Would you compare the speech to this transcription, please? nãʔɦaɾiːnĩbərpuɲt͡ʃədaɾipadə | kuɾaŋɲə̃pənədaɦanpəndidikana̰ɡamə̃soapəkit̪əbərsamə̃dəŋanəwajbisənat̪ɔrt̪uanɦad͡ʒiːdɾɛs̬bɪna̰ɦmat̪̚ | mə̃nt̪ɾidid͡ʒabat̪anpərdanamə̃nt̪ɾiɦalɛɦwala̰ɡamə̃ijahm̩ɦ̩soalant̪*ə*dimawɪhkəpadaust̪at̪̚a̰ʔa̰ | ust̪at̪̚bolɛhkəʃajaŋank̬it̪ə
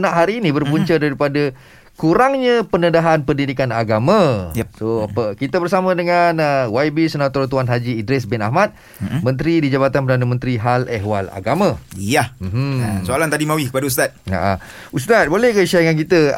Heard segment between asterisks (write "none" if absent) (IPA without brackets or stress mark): a